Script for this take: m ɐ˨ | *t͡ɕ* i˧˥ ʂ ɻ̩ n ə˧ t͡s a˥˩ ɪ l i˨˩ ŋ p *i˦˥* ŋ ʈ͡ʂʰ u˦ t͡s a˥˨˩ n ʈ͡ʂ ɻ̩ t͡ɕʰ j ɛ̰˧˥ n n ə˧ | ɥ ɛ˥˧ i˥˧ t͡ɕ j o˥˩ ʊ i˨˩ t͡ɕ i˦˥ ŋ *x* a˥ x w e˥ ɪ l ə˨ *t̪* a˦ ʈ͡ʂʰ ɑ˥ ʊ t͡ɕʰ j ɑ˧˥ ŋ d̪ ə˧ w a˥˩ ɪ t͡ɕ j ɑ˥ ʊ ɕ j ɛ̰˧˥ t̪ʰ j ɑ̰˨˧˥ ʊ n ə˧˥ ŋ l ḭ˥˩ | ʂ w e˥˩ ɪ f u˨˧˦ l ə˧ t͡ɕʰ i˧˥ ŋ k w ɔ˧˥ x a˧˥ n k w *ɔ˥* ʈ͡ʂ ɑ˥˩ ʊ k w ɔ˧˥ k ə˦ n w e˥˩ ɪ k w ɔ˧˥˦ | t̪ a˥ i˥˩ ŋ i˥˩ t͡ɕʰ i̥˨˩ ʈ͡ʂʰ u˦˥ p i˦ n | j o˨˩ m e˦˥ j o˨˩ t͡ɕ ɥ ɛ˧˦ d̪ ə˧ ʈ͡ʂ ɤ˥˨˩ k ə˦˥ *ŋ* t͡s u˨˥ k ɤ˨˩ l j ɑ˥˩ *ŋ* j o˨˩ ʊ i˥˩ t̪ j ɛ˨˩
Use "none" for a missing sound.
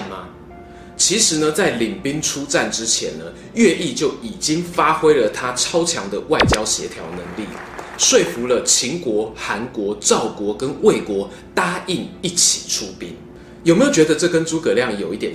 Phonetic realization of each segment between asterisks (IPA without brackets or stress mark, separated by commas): t͡ɕʰ, i˦˥, f, t̪ʰ, ɔ˧˥, n, ŋ